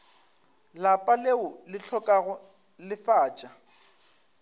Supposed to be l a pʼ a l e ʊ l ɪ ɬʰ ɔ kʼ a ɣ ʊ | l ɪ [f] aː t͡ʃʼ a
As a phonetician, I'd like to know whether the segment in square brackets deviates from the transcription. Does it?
no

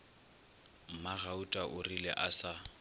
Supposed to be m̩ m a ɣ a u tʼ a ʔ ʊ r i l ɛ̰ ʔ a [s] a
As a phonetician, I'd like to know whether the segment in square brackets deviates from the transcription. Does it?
no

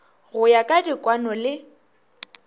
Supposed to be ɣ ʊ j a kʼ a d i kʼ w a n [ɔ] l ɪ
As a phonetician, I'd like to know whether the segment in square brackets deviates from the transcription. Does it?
no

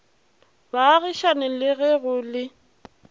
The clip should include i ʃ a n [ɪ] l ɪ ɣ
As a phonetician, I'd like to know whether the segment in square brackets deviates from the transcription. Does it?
no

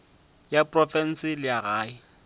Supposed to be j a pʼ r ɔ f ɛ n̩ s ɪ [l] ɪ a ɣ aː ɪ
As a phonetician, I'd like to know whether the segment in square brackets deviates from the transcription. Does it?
no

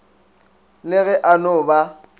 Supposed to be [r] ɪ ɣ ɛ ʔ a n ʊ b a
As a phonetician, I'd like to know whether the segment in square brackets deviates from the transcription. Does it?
yes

